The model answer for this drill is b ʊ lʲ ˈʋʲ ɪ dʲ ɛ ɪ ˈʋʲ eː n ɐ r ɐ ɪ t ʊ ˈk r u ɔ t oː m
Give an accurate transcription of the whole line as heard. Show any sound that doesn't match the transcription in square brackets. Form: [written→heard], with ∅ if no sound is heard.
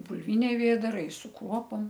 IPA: b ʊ lʲ ˈʋʲ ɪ [dʲ→nʲ] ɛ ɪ ˈʋʲ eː [n→d] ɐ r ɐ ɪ [t→s] ʊ ˈk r u ɔ [t→p] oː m